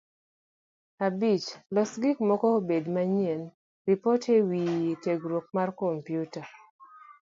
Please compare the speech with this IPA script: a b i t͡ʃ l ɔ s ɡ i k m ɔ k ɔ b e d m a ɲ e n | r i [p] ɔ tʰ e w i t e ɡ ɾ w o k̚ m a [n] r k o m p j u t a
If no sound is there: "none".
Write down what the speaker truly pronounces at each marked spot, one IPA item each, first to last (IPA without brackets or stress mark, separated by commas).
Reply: p, none